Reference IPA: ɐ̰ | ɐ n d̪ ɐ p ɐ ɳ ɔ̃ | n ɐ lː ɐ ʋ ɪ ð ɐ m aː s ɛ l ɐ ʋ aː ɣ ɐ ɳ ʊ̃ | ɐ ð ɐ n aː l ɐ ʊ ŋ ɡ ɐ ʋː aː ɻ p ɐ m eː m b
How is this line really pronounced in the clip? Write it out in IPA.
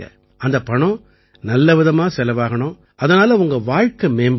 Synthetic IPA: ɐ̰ | ɐ n d̪ ɐ p ɐ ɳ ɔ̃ | n ɐ lː ɐ ʋ ɪ ð ɐ m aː s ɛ l ɐ ʋ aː ɣ ɐ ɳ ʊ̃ | ɐ ð ɐ n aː l ɐ ʊ ŋ ɡ ɐ ʋ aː ɻ k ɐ m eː m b